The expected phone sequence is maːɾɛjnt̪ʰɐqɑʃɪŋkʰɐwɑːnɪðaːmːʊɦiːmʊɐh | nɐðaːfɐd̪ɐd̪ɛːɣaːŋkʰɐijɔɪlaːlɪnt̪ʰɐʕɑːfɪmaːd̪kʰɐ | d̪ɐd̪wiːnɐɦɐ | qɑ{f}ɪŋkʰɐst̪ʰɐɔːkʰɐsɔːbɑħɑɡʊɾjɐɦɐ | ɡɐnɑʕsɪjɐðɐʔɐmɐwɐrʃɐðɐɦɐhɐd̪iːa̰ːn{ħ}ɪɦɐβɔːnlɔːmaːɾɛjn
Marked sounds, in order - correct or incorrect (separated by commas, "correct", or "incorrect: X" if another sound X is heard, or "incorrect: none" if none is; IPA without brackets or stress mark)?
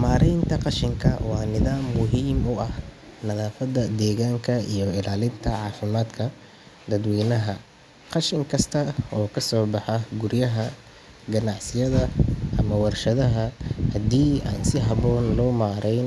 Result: incorrect: ʃ, incorrect: s